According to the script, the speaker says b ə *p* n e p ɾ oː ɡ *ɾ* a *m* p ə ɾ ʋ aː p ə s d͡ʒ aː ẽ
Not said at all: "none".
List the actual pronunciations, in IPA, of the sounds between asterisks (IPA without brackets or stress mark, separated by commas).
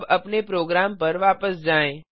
p, ɾ, m